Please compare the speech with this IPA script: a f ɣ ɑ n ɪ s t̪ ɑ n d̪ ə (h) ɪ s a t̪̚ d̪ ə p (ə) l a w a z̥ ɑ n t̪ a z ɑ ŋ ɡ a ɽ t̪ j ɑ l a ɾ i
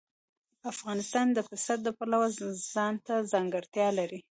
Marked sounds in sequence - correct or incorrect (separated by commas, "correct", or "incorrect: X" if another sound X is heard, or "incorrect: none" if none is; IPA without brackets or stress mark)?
incorrect: f, incorrect: a